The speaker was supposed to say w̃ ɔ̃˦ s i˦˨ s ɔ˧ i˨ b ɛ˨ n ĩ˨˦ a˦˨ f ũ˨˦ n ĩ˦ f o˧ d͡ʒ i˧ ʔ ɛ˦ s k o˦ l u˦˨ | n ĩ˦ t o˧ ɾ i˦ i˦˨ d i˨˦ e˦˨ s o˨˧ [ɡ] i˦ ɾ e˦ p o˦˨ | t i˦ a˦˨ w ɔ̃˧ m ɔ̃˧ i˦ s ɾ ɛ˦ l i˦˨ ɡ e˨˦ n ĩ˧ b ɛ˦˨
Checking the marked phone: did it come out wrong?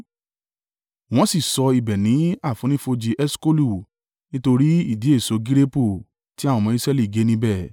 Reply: no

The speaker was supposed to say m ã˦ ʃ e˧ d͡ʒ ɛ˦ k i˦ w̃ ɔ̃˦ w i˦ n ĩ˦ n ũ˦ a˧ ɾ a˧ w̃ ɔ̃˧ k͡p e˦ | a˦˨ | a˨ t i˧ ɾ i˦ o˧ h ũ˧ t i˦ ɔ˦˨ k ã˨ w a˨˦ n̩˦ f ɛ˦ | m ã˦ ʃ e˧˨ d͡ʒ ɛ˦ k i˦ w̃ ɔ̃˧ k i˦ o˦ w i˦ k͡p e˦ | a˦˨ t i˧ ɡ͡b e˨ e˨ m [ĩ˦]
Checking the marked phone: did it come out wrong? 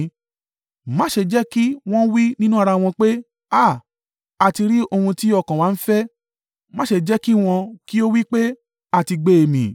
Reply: yes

